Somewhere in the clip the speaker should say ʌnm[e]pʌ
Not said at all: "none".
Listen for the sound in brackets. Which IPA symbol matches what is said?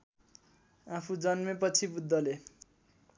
e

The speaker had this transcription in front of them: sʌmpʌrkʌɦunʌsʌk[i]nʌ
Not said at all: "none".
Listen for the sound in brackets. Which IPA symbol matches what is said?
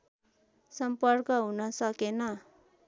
e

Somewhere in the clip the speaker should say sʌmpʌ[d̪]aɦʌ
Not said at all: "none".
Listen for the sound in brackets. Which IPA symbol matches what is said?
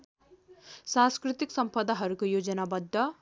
d̪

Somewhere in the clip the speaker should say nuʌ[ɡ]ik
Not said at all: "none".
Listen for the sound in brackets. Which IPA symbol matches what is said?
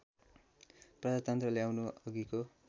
ɡ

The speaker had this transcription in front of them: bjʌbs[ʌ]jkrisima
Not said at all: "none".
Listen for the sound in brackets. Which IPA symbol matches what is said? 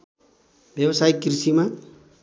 a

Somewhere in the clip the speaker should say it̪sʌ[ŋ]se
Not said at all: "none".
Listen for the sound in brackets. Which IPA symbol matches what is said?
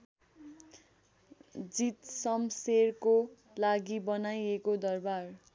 m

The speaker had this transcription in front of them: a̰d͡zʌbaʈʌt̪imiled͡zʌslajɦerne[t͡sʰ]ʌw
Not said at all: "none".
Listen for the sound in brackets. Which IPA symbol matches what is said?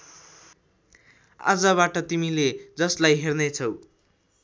t͡sʰ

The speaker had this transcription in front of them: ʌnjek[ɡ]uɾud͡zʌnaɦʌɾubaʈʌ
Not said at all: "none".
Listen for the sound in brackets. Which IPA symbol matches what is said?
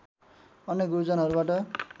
ɡ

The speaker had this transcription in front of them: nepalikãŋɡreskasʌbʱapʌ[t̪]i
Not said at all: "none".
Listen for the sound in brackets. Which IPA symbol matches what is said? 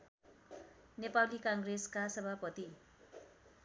t̪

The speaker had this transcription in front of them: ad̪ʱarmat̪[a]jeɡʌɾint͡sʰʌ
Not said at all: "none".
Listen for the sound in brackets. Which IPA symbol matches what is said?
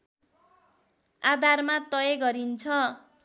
ʌ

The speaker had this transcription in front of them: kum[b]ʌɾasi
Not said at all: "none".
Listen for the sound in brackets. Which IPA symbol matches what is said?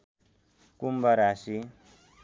b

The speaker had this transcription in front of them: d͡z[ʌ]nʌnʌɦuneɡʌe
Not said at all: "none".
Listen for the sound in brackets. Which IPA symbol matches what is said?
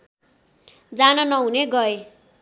a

